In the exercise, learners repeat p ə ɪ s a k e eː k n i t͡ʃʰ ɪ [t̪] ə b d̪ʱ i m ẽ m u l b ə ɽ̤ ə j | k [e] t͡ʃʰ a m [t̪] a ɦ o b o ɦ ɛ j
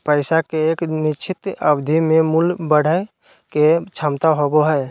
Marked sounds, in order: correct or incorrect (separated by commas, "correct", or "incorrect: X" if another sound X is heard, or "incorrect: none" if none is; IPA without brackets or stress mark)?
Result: correct, correct, correct